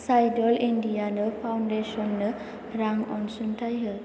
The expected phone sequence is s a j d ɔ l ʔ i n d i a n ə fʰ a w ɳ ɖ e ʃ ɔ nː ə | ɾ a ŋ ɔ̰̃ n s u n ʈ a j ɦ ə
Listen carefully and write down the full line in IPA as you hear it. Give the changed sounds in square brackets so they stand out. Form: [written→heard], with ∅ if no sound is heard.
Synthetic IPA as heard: s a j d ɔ l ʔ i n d i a n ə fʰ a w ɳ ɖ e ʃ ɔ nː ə | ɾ a ŋ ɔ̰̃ n s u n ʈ a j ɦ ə